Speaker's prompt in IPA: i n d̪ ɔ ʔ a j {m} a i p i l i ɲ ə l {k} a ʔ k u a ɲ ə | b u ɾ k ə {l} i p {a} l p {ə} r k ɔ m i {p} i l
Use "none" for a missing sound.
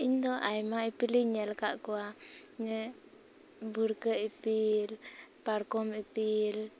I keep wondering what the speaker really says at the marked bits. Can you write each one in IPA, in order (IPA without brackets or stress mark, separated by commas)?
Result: m, k, none, i, a, p